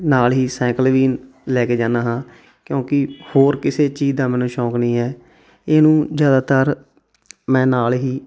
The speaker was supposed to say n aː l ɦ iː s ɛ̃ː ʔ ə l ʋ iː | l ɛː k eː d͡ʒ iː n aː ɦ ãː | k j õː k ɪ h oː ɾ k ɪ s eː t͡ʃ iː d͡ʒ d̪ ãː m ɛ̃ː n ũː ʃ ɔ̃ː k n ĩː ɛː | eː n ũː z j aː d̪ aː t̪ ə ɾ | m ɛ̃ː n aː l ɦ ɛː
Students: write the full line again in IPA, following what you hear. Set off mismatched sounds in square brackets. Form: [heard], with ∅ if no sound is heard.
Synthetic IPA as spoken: n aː l ɦ iː s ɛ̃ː [k] ə l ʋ iː | l ɛː k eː d͡ʒ [aː] n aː ɦ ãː | k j õː k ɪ h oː ɾ k ɪ s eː t͡ʃ iː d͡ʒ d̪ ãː m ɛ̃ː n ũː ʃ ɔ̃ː k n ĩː ɛː | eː n ũː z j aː d̪ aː t̪ ə ɾ | m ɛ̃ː n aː l ɦ [iː]